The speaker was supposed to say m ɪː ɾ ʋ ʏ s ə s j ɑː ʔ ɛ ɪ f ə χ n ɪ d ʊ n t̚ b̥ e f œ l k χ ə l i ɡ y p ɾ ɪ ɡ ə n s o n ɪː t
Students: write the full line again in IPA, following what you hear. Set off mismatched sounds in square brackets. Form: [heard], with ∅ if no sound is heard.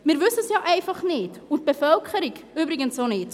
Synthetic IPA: m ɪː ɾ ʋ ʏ s ə s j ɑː ʔ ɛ ɪ f [ɑ] χ n ɪ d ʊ n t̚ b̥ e f œ l k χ ə [ɾ] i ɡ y [b] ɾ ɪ ɡ ə n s o n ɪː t